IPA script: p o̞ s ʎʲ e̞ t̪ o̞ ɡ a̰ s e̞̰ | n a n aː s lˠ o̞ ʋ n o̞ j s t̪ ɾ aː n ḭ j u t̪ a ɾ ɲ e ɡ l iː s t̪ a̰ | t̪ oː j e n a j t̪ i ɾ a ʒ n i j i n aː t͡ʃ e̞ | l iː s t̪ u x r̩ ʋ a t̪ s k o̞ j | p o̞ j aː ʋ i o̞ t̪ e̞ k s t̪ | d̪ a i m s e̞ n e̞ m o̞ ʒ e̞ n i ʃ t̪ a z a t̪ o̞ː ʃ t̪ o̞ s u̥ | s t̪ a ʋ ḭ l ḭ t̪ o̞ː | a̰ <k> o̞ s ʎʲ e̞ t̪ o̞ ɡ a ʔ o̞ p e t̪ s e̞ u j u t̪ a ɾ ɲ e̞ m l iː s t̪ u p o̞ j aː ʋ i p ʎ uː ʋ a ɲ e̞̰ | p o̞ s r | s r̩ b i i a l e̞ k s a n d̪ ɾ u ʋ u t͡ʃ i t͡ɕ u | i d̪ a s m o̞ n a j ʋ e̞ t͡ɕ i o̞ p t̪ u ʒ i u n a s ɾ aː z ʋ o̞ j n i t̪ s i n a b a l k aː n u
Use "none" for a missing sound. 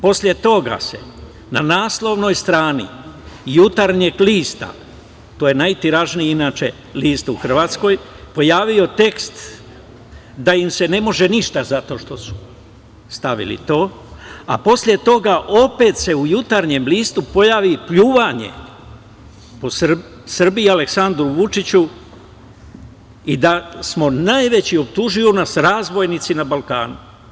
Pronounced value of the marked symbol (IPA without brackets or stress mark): p